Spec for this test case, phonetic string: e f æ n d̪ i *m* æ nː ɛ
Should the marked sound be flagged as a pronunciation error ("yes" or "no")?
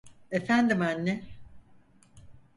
no